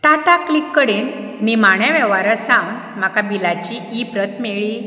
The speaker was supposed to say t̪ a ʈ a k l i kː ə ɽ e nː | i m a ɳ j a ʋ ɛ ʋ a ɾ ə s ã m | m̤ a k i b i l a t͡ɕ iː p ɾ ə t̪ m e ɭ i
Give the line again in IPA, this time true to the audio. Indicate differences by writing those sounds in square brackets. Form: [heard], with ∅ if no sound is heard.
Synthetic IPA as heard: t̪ a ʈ a k l i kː ə ɽ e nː | i m a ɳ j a ʋ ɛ ʋ a ɾ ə s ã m | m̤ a k [a] b i l a t͡ɕ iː p ɾ ə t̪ m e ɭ i